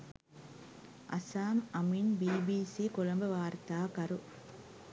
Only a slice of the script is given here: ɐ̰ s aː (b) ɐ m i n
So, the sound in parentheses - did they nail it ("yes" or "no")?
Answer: no